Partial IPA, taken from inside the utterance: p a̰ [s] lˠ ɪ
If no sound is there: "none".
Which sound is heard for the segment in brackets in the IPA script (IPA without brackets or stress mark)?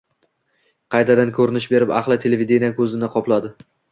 χ